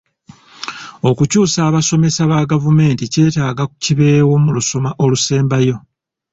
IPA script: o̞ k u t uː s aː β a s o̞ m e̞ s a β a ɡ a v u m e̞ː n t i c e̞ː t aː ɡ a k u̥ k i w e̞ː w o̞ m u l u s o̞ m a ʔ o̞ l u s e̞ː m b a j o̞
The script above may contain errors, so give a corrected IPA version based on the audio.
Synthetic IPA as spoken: o̞ k u c uː s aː β a s o̞ m e̞ s a β a ɡ a v u m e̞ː n t i c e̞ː t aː ɡ a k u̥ c i β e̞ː w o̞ m u l u s o̞ m a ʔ o̞ l u s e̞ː m b a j o̞